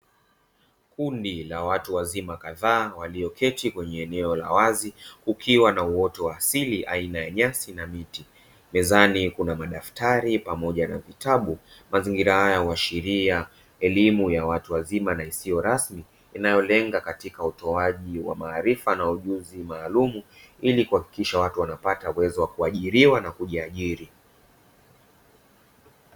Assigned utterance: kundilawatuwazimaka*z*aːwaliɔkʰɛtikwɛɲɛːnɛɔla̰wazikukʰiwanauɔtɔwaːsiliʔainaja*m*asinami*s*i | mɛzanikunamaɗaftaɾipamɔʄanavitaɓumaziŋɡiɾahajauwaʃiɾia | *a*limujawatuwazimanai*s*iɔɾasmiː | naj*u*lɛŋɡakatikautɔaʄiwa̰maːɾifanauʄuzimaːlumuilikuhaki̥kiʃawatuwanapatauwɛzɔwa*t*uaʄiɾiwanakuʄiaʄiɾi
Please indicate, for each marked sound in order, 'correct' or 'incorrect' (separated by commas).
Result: incorrect, incorrect, incorrect, incorrect, correct, incorrect, incorrect